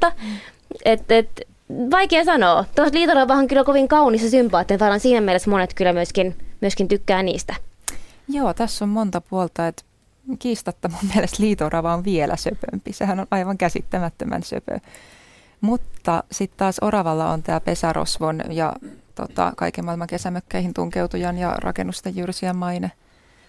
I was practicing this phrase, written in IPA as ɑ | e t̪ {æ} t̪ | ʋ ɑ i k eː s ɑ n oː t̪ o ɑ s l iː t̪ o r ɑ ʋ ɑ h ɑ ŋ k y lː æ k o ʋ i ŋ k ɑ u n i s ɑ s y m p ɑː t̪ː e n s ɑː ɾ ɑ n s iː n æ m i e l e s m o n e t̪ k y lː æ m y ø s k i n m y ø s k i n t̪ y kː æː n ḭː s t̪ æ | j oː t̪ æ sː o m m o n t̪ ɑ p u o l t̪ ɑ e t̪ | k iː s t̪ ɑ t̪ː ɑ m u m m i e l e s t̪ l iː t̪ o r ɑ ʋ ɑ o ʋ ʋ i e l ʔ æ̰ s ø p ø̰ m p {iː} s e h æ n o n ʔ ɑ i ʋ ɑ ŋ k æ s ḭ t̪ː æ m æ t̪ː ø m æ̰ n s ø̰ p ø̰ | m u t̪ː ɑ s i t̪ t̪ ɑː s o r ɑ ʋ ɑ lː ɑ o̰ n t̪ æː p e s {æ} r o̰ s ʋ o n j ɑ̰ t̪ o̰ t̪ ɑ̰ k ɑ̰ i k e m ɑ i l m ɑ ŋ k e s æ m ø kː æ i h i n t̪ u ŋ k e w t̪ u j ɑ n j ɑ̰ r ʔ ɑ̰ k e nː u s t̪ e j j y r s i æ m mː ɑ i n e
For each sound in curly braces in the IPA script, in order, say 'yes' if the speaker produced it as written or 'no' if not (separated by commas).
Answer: no, no, yes